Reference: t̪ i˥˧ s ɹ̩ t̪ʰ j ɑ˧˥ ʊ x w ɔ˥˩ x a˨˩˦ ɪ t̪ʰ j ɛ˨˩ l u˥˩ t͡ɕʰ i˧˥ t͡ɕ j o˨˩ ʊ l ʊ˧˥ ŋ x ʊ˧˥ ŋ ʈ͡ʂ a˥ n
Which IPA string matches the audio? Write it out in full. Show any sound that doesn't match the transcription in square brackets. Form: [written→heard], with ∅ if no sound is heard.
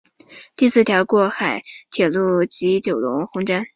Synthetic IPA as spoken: t̪ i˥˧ s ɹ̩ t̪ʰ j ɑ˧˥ ʊ [x→k] w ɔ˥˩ x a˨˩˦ ɪ t̪ʰ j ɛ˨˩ l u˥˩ [t͡ɕʰ→t͡ɕ] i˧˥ t͡ɕ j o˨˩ ʊ l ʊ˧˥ ŋ x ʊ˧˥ ŋ ʈ͡ʂ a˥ n